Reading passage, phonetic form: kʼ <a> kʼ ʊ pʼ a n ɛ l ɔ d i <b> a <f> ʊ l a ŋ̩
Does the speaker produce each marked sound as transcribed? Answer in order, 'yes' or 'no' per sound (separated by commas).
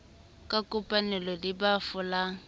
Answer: yes, yes, yes